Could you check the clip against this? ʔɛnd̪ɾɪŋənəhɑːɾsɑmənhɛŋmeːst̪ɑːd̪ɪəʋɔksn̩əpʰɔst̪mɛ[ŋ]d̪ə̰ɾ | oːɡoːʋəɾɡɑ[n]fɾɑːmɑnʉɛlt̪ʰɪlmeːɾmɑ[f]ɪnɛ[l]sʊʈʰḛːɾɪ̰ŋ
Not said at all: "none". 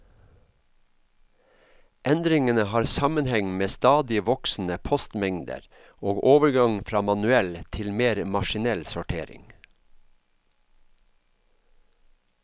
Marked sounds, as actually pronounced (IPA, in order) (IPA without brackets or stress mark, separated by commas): ŋ, ŋ, ʃ, l